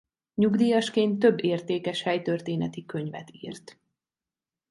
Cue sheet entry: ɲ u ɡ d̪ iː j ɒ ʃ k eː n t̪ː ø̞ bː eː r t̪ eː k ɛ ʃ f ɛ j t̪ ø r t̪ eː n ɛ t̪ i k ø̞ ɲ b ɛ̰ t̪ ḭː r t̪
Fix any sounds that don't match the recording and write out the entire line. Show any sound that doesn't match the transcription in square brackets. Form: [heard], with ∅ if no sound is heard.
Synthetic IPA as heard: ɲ u ɡ d̪ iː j ɒ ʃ k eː n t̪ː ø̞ bː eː r t̪ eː k ɛ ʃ [h] ɛ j t̪ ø r t̪ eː n ɛ t̪ i k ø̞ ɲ [v] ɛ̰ t̪ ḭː r t̪

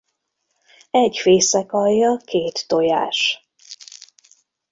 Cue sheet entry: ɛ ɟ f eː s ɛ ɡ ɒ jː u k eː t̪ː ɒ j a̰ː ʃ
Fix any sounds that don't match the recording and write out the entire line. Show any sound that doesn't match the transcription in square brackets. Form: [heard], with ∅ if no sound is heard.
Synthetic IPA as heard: ɛ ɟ f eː s ɛ [k] ɒ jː [ɒ] k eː t̪ː [o] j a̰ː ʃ

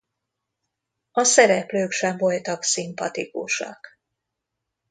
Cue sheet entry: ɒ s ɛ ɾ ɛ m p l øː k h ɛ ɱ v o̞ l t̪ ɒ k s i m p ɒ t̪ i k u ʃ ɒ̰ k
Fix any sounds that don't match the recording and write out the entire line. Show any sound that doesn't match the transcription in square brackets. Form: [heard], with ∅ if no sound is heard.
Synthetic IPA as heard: ɒ s ɛ ɾ ɛ [∅] p l øː k [ʃ] ɛ ɱ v o̞ l t̪ ɒ k s i m p ɒ t̪ i k u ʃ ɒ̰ k

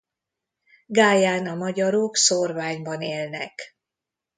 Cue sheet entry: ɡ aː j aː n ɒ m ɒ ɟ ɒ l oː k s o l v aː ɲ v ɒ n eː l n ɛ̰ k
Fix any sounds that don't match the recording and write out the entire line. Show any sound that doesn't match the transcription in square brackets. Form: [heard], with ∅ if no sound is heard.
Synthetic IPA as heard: ɡ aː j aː n ɒ m ɒ ɟ ɒ [ɾ] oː k s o [r] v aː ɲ [b] ɒ n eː l n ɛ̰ k

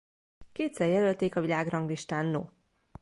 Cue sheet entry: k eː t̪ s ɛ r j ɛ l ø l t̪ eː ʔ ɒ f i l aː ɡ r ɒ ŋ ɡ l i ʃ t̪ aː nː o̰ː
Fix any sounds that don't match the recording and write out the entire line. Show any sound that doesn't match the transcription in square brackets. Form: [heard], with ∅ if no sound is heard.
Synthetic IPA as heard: k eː t̪ s ɛ r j ɛ l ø l t̪ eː [k] ɒ [v] i l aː ɡ r ɒ ŋ ɡ l i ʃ t̪ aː nː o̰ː

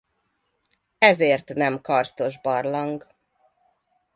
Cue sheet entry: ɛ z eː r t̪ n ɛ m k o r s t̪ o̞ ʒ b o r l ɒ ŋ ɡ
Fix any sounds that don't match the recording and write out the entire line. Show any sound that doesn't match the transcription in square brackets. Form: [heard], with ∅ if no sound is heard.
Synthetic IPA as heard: ɛ z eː r t̪ n ɛ m k [ɒ] r s t̪ o̞ ʒ b [ɒ] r l ɒ ŋ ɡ

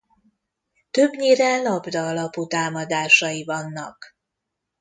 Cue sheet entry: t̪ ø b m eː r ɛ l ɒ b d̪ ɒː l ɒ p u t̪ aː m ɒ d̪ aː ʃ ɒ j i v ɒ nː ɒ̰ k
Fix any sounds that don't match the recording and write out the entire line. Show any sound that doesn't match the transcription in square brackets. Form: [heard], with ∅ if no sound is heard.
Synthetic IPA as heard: t̪ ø b [ɲ] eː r ɛ l ɒ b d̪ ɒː l ɒ p u t̪ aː m ɒ d̪ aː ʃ ɒ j i v ɒ nː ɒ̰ k

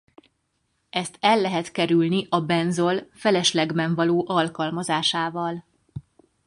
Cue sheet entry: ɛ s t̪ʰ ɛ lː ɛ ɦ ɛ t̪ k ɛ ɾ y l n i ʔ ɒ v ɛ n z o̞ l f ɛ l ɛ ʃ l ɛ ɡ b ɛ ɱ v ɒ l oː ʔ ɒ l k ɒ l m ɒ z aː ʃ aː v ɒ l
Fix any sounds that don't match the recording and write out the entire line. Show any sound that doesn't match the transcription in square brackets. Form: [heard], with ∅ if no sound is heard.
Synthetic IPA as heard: ɛ s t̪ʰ ɛ lː ɛ ɦ ɛ t̪ k ɛ ɾ y l n i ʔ ɒ [b] ɛ n z o̞ l f ɛ l ɛ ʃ l ɛ ɡ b ɛ ɱ v ɒ l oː ʔ ɒ l k ɒ l m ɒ z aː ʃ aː v ɒ l

